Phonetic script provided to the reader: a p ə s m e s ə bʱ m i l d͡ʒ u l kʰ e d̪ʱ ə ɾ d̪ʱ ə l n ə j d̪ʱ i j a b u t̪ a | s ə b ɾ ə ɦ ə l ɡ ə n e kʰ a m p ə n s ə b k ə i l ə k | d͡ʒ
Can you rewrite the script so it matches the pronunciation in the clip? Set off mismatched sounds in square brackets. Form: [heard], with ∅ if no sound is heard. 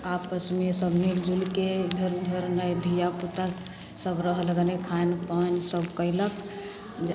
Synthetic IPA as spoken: a p ə s m e s ə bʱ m i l d͡ʒ u l [k] e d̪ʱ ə ɾ d̪ʱ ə [ɾ] n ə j d̪ʱ i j a [p] u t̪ a | s ə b ɾ ə ɦ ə l ɡ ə n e kʰ a [n] p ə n s ə b k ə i l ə k | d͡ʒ